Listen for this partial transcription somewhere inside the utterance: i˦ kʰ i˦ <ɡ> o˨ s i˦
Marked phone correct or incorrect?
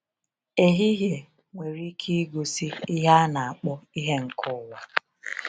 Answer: correct